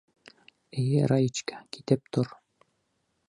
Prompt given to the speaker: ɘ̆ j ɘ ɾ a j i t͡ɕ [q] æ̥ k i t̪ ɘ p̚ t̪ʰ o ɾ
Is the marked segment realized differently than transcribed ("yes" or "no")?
yes